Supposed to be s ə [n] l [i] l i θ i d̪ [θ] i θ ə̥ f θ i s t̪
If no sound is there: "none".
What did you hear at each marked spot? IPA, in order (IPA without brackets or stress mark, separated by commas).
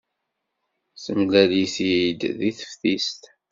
m, æ, ð